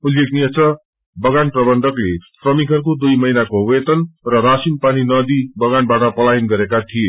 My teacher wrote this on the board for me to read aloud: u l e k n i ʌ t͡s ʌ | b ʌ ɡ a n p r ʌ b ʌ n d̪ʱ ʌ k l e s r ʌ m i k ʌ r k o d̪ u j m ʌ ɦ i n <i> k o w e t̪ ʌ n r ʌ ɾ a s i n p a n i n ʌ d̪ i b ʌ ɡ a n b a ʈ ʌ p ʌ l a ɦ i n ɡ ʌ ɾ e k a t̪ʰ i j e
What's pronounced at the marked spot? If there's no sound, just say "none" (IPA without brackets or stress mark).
a